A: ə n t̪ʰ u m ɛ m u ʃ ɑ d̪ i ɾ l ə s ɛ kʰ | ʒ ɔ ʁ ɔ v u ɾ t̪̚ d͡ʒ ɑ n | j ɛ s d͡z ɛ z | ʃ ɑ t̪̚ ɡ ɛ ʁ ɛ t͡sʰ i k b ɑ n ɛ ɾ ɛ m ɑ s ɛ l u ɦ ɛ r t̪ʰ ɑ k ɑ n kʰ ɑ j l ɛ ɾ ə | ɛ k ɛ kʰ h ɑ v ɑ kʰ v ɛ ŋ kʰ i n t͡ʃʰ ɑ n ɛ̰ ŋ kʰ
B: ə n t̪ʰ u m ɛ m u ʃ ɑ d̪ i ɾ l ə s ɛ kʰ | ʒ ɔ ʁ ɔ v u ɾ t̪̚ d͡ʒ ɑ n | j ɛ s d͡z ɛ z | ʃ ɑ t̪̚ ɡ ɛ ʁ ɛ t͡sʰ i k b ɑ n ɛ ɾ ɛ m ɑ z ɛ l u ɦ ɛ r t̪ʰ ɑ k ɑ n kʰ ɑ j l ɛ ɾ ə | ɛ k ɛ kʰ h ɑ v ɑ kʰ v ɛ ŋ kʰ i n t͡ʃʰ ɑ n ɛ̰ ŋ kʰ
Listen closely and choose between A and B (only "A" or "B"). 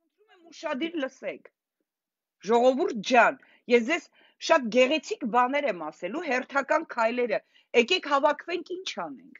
A